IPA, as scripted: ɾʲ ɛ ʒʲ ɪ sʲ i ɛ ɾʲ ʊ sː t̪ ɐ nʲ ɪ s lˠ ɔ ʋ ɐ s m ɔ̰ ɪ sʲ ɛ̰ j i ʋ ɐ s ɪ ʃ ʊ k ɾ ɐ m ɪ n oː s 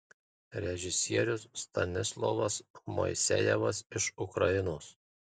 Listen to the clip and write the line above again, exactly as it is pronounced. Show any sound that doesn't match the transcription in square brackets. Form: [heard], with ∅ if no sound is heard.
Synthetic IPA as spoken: ɾʲ ɛ ʒʲ ɪ sʲ i ɛ ɾʲ ʊ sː t̪ ɐ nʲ ɪ s lˠ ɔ ʋ ɐ s m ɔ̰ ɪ sʲ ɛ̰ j [ɛ] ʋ ɐ s ɪ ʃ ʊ k ɾ ɐ [∅] ɪ n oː s

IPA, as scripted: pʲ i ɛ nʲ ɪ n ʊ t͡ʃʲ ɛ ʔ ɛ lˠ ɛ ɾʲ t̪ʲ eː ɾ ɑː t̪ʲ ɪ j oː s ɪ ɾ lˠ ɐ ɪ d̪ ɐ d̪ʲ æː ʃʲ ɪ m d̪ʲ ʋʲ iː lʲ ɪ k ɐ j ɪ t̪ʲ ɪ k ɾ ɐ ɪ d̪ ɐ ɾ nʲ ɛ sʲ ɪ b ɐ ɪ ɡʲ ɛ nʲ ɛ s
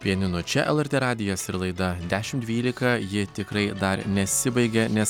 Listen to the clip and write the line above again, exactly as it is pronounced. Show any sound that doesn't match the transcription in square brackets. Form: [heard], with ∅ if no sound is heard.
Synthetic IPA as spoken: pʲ i ɛ nʲ ɪ n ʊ t͡ʃʲ ɛ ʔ ɛ lˠ ɛ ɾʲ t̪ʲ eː ɾ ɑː [d̪ʲ] ɪ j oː s ɪ ɾ lˠ ɐ ɪ d̪ ɐ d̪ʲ æː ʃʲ ɪ m d̪ʲ ʋʲ iː lʲ ɪ k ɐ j ɪ t̪ʲ ɪ k ɾ ɐ ɪ d̪ ɐ ɾ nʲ ɛ sʲ ɪ b ɐ ɪ ɡʲ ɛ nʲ ɛ s

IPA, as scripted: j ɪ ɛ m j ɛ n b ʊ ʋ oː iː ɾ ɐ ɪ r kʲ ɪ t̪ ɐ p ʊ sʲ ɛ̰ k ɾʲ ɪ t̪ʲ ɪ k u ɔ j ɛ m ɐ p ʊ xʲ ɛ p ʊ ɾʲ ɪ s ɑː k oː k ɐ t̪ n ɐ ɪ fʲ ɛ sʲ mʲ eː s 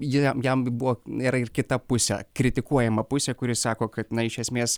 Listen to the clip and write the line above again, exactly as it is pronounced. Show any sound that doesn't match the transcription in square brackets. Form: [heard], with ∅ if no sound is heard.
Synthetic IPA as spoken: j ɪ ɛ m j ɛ [m] b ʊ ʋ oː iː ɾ ɐ ɪ r kʲ ɪ t̪ ɐ p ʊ sʲ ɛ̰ k ɾʲ ɪ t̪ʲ ɪ k u ɔ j ɛ m ɐ p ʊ [sʲ] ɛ [k] ʊ ɾʲ ɪ s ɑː k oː k ɐ t̪ n ɐ ɪ [ʃʲ] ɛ sʲ mʲ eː s

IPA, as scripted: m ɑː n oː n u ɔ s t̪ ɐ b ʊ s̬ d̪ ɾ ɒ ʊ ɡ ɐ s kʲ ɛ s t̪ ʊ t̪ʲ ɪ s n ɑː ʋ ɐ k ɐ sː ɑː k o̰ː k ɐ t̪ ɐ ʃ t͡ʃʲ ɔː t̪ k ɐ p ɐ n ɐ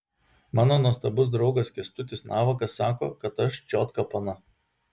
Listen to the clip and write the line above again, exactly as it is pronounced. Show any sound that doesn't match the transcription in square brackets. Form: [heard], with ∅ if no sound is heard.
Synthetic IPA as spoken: m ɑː n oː n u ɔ s t̪ ɐ b ʊ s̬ d̪ ɾ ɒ ʊ ɡ ɐ s kʲ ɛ s t̪ ʊ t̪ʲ ɪ s n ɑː ʋ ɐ k ɐ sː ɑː k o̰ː k ɐ t̪ ɐ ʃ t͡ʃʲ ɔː t̪ k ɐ p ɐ n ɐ

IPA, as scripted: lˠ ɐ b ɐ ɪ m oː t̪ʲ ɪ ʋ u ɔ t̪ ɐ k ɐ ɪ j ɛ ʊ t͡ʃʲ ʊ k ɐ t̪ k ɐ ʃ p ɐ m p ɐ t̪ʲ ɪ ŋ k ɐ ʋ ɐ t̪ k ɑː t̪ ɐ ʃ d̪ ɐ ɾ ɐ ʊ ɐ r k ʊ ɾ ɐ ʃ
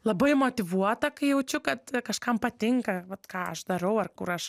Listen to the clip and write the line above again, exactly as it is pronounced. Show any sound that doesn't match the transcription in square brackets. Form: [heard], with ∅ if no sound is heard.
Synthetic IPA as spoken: lˠ ɐ b ɐ ɪ m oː t̪ʲ ɪ ʋ u ɔ t̪ ɐ k ɐ ɪ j ɛ ʊ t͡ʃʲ ʊ k ɐ t̪ k ɐ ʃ [k] ɐ m p ɐ t̪ʲ ɪ ŋ k ɐ ʋ ɐ t̪ k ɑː [∅] ɐ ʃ d̪ ɐ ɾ ɐ ʊ ɐ r k ʊ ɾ ɐ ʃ

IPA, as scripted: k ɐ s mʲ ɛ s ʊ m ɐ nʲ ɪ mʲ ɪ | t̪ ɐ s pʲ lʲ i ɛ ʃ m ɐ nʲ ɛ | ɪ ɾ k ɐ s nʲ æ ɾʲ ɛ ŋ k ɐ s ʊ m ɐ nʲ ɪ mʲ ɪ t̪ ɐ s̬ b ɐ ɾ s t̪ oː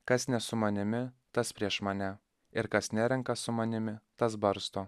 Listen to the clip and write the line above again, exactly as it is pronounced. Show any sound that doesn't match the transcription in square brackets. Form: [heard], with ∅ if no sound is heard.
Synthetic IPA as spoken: k ɐ s [nʲ] ɛ s ʊ m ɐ nʲ ɪ mʲ ɪ | t̪ ɐ s pʲ [ɾʲ] i ɛ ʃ m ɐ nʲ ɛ | ɪ ɾ k ɐ s nʲ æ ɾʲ ɛ ŋ k ɐ s ʊ m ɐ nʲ ɪ mʲ ɪ t̪ ɐ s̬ b ɐ ɾ s t̪ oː

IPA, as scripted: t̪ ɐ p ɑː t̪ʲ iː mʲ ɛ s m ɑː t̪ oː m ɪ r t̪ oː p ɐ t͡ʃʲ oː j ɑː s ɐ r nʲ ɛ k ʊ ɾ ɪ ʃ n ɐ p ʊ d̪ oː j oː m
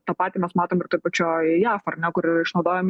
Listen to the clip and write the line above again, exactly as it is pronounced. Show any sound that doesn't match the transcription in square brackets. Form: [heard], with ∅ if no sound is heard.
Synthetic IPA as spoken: t̪ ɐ p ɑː t̪ʲ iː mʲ ɛ s m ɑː t̪ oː m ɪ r t̪ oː p ɐ t͡ʃʲ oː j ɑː [f] ɐ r nʲ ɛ k ʊ ɾ ɪ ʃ n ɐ [∅] ʊ d̪ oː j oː m

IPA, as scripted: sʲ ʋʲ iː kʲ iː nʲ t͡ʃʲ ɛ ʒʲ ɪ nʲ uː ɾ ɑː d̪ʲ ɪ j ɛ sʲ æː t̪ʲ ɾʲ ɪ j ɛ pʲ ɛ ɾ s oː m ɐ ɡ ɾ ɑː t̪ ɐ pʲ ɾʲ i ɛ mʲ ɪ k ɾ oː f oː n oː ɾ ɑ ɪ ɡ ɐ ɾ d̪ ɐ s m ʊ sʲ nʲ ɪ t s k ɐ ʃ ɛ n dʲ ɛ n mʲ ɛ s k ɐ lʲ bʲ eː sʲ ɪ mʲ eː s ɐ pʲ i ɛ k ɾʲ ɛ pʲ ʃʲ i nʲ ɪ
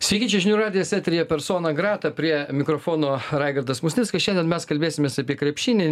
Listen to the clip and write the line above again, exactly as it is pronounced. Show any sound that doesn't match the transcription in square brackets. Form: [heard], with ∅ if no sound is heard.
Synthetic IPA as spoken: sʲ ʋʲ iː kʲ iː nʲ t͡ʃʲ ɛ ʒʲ ɪ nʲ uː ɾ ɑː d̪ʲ ɪ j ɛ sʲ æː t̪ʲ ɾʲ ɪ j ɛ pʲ ɛ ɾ s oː [n] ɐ ɡ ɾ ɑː t̪ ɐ pʲ ɾʲ i ɛ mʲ ɪ k ɾ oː f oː n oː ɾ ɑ ɪ ɡ ɐ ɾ d̪ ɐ s m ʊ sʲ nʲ ɪ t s k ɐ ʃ ɛ n dʲ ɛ n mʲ ɛ s k ɐ lʲ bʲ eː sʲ ɪ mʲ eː s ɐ pʲ i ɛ k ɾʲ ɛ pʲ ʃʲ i nʲ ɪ

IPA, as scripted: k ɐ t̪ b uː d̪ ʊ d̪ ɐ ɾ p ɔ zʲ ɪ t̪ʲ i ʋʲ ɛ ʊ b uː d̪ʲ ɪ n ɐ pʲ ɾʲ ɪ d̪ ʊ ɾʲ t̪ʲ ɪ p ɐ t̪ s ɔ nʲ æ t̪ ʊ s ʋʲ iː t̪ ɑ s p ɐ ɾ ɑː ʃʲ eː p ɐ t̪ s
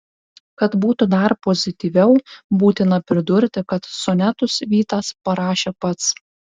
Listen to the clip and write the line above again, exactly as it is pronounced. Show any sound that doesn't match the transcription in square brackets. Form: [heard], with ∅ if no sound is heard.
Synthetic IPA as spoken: k ɐ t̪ b uː [t̪] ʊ d̪ ɐ ɾ p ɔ zʲ ɪ t̪ʲ i ʋʲ ɛ ʊ b uː [t̪ʲ] ɪ n ɐ pʲ ɾʲ ɪ d̪ ʊ ɾʲ t̪ʲ ɪ [k] ɐ t̪ s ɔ nʲ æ t̪ ʊ s ʋʲ iː t̪ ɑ s p ɐ ɾ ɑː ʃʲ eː p ɐ t̪ s

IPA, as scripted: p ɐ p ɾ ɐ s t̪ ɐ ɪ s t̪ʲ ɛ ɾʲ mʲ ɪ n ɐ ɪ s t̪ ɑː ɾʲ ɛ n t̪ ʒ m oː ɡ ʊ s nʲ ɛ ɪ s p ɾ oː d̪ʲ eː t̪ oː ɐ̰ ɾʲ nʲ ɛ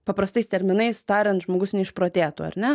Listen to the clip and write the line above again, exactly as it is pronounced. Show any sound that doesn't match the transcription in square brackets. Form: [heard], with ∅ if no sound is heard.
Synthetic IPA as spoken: p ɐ p ɾ ɐ s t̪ ɐ ɪ s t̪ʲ ɛ ɾʲ mʲ ɪ n ɐ ɪ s t̪ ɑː ɾʲ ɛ n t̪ ʒ m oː ɡ ʊ s nʲ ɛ ɪ [ʃ] p ɾ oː [t̪ʲ] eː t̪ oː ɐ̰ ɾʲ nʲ ɛ

